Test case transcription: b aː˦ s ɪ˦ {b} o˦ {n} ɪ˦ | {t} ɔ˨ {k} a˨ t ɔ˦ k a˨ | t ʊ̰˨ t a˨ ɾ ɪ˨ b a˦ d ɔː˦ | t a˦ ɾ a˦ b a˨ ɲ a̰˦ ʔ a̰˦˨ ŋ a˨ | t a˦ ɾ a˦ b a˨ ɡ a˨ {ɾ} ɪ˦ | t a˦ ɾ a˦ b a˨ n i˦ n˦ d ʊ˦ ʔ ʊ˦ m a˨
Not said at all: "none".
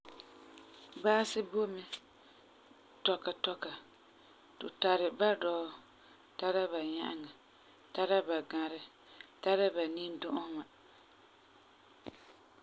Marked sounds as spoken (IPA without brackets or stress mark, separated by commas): b, m, t, k, ɾ